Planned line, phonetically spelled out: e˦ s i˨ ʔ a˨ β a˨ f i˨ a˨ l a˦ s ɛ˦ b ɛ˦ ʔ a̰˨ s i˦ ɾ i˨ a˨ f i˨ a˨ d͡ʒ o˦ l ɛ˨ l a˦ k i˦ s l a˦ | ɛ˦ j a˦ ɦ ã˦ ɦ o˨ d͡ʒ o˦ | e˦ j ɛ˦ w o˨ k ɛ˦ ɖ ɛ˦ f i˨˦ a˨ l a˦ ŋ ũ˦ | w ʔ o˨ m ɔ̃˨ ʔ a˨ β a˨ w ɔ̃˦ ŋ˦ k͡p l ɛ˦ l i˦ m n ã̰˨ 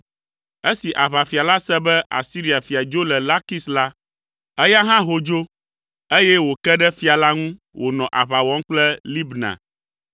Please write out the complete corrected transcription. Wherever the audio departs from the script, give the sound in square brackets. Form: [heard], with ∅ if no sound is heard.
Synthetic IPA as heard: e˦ s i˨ ʔ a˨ β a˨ f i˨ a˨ l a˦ s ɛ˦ b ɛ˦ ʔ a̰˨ s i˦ ɾ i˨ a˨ f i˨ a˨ d͡ʒ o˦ l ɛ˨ l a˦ k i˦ s l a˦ | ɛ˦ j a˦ ɦ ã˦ ɦ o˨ d͡ʒ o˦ | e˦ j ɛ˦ w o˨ k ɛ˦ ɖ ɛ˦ f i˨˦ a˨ l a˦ ŋ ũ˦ | w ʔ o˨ [n] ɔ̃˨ ʔ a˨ β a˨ w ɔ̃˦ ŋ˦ k͡p l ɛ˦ l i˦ [b] n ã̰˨

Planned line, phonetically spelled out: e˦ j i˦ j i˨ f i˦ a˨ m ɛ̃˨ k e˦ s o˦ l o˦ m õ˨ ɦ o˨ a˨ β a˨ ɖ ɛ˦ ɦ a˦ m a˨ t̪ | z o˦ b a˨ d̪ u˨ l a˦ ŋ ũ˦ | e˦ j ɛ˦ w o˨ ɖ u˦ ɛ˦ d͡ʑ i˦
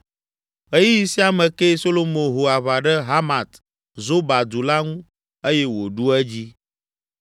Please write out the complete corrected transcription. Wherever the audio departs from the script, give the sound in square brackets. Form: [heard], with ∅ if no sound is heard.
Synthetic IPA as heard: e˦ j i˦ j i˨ [s] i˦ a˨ m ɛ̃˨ k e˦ s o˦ l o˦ m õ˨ ɦ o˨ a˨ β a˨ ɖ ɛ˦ ɦ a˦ m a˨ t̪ | z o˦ b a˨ d̪ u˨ l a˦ ŋ ũ˦ | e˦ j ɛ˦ w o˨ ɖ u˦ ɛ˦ d͡ʑ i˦

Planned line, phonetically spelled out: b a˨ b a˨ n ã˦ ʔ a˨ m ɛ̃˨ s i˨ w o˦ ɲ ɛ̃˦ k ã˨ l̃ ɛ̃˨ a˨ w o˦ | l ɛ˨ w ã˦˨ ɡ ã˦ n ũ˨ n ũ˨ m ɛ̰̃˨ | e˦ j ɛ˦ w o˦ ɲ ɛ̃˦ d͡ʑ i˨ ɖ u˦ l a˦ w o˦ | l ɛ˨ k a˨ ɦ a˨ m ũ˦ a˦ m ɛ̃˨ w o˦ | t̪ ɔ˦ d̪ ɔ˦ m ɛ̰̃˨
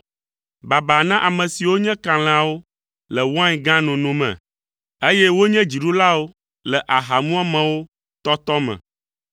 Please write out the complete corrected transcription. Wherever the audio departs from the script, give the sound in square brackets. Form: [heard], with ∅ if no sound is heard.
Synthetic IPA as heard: b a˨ b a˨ n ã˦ ʔ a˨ m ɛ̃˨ s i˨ w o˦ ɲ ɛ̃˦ k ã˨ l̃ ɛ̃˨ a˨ w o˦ | l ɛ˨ w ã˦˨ ɡ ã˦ n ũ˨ n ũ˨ m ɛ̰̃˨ | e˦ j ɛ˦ w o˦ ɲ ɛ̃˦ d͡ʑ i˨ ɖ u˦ l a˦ w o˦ | l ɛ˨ [ʔ] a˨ ɦ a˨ m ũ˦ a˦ m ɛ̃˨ w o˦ | t̪ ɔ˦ [t̪] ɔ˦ m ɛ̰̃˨

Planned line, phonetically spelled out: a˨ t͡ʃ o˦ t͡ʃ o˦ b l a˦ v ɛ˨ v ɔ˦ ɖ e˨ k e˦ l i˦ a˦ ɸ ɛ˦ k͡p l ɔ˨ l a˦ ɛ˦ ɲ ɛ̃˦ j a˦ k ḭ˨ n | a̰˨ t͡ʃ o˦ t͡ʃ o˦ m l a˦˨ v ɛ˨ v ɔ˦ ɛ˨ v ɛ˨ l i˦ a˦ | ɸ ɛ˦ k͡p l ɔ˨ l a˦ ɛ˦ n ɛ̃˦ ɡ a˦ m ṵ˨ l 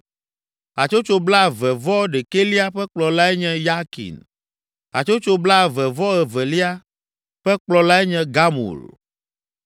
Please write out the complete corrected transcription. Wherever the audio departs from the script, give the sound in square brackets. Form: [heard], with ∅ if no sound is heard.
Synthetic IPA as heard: a˨ t͡ʃ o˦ t͡ʃ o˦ b l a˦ v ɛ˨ v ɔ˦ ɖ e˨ k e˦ l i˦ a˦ ɸ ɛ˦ k͡p l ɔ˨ l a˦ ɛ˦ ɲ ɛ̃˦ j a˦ k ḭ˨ n | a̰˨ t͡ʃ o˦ t͡ʃ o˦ [b] l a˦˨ v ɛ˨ v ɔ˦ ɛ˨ v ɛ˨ l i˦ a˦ | ɸ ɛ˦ k͡p l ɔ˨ l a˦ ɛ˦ [ɲ] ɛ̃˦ ɡ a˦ m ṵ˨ l

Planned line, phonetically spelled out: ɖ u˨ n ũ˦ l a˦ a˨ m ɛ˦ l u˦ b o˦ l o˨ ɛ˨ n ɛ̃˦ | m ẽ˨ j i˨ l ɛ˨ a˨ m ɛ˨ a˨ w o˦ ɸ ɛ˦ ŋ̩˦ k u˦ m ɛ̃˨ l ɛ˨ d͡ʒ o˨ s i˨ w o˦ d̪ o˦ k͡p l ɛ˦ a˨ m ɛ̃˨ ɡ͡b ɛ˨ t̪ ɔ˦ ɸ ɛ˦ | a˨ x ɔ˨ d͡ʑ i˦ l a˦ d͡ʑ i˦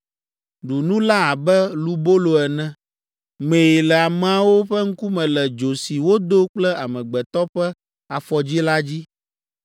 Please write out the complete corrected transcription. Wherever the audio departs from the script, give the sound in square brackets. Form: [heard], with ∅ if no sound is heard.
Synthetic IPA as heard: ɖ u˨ n ũ˦ l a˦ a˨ [b] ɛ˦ l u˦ b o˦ l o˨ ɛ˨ n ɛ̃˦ | m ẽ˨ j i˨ l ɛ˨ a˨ m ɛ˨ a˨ w o˦ ɸ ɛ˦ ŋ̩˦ k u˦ m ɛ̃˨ l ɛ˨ d͡ʒ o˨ s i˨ w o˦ d̪ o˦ k͡p l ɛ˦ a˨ m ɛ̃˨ ɡ͡b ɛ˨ t̪ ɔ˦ ɸ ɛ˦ | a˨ [f] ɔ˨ d͡ʑ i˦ l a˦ d͡ʑ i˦

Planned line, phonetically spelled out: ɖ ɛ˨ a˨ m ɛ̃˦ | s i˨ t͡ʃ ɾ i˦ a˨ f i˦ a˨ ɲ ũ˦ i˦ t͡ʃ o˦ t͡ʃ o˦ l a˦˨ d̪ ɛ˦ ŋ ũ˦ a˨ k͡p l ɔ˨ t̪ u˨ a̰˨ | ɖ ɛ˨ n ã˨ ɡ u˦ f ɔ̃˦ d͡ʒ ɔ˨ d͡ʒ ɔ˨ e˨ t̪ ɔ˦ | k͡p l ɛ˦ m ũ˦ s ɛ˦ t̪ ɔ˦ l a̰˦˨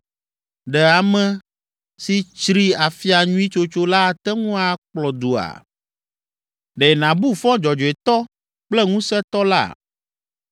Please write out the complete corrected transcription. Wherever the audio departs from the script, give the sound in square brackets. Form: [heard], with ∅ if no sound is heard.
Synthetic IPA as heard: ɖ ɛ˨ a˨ m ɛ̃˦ | s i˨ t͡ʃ ɾ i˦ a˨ f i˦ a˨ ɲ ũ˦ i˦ t͡ʃ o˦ t͡ʃ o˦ l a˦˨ [t̪] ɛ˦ ŋ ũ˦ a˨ k͡p l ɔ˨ [d̪] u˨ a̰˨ | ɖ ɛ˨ n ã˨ [b] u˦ f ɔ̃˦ d͡ʒ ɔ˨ d͡ʒ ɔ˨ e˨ t̪ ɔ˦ | k͡p l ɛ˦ [ŋ] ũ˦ s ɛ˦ t̪ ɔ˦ l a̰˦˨

